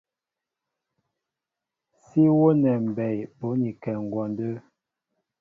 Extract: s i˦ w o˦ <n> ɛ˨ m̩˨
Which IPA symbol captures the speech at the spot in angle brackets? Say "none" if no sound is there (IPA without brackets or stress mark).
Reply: n